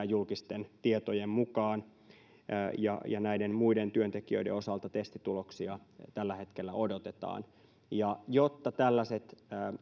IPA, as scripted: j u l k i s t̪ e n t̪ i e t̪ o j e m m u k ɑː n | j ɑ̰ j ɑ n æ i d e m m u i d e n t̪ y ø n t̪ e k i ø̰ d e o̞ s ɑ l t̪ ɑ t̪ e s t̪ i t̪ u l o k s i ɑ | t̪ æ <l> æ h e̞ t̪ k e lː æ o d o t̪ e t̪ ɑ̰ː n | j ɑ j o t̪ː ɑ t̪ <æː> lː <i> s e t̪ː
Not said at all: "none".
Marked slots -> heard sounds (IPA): lː, æ, æ

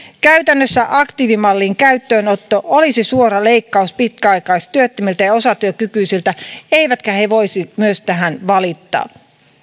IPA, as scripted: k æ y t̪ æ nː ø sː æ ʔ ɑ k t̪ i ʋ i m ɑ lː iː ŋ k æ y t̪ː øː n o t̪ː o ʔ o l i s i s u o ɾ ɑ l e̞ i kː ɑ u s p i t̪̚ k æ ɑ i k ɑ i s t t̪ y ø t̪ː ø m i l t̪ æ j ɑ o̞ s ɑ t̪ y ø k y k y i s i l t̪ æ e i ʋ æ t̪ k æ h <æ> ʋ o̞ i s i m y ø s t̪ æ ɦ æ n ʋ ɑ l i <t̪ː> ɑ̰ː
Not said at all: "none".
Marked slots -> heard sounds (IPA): e, t̪ː

